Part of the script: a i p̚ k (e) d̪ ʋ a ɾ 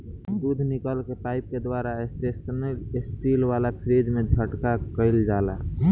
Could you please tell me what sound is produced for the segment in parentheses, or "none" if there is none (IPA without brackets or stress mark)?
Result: e